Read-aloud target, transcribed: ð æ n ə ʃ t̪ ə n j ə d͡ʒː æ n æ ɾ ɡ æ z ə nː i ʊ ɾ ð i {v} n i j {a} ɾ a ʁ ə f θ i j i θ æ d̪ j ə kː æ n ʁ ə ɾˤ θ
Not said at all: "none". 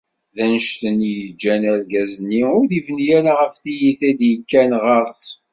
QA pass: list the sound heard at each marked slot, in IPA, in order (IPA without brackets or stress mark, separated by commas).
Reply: v, æ